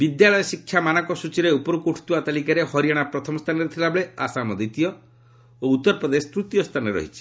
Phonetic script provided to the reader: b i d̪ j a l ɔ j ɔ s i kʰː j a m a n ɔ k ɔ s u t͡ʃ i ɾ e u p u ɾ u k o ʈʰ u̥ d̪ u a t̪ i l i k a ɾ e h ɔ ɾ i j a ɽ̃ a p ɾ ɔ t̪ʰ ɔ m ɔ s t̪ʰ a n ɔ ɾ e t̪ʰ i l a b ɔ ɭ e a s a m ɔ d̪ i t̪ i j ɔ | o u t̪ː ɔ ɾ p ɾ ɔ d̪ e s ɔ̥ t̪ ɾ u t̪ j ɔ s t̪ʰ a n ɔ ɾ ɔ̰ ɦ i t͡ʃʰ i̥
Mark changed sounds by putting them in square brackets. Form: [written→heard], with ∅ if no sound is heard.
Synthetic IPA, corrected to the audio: b i d̪ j a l ɔ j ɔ s i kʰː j a m a n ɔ k ɔ s u t͡ʃ i ɾ e u p [u→ɔ] ɾ u k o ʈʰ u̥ [d̪→t̪] u a t̪ [i→a] l i k a ɾ e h ɔ ɾ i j a ɽ̃ a p ɾ ɔ t̪ʰ ɔ m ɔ s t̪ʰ a n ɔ ɾ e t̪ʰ i l a b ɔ ɭ e a s a m ɔ d̪ i t̪ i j ɔ | o u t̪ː ɔ ɾ p ɾ ɔ d̪ e s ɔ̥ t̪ ɾ u t̪ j ɔ s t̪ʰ a n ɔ ɾ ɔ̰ ɦ i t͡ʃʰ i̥